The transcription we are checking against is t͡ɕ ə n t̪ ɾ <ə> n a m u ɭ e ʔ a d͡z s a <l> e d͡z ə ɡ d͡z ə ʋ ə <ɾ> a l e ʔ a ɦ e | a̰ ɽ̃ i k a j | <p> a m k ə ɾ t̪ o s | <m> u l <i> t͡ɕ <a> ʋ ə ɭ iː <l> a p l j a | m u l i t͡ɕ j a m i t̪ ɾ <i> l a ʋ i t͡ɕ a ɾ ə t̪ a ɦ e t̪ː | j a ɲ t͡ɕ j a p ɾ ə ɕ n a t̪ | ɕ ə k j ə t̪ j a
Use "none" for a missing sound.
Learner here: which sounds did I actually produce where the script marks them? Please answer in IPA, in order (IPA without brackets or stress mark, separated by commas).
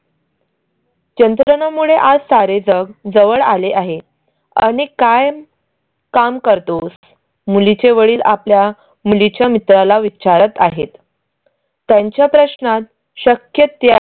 ə, ɾ, ɭ, k, m, i, e, l, a